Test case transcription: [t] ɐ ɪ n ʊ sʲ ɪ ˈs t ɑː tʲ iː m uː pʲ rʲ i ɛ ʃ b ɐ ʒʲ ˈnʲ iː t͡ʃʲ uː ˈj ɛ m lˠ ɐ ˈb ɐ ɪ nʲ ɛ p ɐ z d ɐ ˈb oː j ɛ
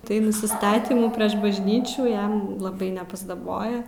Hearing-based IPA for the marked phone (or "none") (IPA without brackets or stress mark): t